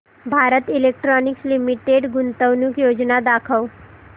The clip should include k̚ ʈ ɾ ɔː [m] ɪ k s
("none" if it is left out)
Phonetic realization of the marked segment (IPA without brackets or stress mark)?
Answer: n